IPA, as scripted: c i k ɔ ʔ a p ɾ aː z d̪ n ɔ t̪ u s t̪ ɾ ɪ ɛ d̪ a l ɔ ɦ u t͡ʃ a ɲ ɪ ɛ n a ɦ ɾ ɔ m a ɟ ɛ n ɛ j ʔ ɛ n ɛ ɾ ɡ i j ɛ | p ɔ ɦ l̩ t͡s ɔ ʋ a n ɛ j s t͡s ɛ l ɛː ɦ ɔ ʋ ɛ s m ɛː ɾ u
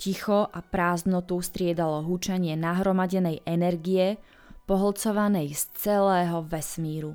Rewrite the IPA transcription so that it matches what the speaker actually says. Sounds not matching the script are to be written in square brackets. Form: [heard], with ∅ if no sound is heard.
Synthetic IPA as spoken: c i [x] ɔ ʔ a p ɾ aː z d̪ n ɔ t̪ u s t̪ ɾ ɪ ɛ d̪ a l ɔ ɦ u t͡ʃ a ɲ ɪ ɛ n a ɦ ɾ ɔ m a ɟ ɛ n ɛ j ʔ ɛ n ɛ ɾ ɡ i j ɛ | p ɔ ɦ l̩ t͡s ɔ ʋ a n ɛ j s t͡s ɛ l ɛː ɦ ɔ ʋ ɛ s m [iː] ɾ u